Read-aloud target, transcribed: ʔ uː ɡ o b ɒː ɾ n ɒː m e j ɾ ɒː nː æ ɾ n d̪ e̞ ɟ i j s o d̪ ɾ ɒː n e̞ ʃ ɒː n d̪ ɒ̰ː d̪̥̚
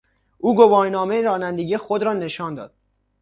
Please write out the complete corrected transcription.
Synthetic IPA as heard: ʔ uː ɡ o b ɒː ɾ n ɒː m e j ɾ ɒː n æ n d̪ e̞ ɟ i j x o d̪ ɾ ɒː n e̞ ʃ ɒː n d̪ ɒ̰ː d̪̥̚